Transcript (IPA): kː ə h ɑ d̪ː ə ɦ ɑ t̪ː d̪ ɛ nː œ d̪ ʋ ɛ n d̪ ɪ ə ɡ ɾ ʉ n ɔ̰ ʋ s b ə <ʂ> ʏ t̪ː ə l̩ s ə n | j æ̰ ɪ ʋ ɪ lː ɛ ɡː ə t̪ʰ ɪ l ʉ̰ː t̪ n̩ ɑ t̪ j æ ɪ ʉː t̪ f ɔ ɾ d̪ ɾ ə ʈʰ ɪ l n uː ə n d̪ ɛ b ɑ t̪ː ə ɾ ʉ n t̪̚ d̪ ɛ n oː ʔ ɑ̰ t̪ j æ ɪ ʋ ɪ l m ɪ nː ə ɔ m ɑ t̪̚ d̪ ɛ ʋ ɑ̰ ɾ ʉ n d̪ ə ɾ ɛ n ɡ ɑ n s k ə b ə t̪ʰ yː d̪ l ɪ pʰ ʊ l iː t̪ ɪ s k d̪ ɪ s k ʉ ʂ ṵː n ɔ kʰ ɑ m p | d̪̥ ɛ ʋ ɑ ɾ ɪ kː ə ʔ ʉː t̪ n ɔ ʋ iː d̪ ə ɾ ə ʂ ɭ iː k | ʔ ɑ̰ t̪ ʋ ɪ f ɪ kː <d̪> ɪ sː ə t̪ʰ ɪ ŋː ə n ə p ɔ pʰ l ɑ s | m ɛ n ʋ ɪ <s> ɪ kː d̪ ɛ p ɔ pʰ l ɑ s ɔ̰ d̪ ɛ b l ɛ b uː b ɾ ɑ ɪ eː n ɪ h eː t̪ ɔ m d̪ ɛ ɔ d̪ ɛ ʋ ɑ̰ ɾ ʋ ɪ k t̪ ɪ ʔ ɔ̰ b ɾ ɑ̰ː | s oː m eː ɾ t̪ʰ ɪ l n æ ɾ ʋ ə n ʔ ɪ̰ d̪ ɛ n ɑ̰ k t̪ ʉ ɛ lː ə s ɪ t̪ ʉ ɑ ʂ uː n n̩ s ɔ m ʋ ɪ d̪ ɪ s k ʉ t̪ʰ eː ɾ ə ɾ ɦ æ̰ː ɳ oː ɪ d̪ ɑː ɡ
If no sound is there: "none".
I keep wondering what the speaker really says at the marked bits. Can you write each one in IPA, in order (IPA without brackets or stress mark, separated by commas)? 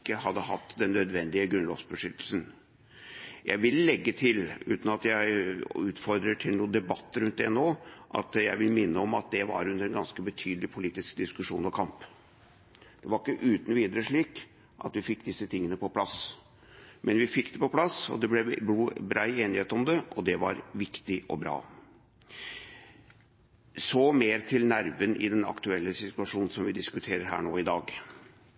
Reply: ʂ, d̪, f